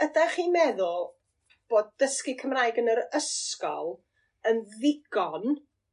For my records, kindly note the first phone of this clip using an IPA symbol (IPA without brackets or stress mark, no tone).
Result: ə